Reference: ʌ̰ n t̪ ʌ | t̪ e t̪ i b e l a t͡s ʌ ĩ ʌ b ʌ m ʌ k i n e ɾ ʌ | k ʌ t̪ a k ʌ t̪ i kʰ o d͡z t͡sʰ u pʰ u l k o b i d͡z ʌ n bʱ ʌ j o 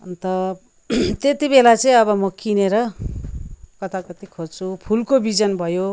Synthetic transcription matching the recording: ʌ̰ n t̪ ʌ | t̪ e t̪ i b e l a t͡s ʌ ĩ ʌ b ʌ m ʌ k i n e ɾ ʌ | k ʌ t̪ a k ʌ t̪ i kʰ o d͡z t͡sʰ u pʰ u l k o b i d͡z ʌ n bʱ ʌ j o